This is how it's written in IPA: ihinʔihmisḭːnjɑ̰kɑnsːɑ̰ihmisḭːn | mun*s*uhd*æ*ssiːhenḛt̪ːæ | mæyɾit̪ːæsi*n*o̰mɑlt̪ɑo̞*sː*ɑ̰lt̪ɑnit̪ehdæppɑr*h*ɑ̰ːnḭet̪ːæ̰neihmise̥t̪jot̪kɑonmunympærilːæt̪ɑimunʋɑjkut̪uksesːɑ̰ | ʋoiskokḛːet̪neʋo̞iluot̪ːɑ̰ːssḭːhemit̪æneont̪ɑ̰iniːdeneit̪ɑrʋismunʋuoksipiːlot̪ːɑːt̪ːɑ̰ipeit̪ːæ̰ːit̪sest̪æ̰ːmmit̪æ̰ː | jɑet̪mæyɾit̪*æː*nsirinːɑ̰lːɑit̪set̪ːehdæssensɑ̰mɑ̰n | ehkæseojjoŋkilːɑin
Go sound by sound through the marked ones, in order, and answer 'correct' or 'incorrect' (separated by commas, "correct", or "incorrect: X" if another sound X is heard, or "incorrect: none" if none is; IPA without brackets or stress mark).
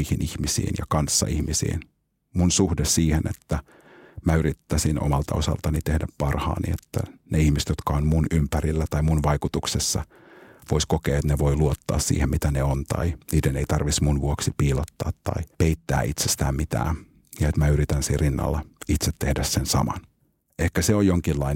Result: correct, incorrect: e, correct, incorrect: s, correct, incorrect: æ